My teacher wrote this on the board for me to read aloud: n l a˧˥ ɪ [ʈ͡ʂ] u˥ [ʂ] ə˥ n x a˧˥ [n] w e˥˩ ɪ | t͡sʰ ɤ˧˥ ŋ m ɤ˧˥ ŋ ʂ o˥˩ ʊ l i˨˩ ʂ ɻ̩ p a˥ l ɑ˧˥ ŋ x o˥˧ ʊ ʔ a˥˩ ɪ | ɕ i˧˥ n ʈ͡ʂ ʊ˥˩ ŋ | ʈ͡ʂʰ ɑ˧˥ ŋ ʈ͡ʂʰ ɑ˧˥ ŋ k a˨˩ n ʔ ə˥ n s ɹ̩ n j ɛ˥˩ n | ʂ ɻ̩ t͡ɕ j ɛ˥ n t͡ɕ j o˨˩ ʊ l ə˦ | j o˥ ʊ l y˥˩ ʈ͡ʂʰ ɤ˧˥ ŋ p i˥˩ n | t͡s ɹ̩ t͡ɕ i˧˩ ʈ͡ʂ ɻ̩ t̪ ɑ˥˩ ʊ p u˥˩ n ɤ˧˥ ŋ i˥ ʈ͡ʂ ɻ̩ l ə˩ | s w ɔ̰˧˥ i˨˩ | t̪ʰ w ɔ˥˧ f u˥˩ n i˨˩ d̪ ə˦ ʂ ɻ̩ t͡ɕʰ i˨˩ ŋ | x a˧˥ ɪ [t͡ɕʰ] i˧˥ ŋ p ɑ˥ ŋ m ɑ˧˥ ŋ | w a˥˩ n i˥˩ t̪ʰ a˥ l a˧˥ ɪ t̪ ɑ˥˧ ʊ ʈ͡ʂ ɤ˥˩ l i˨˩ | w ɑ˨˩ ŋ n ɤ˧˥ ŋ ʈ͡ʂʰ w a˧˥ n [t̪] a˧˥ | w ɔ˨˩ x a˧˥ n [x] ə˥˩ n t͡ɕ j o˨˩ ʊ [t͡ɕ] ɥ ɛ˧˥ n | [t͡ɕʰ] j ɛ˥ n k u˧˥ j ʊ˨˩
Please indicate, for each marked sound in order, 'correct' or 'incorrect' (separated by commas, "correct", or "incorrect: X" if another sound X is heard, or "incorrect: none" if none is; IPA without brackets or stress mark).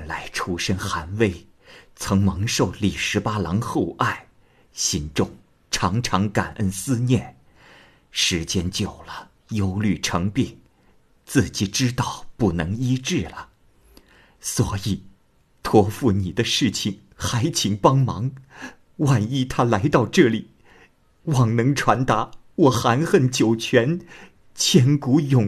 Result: incorrect: ʈ͡ʂʰ, correct, correct, correct, correct, correct, incorrect: t͡ɕʰ, correct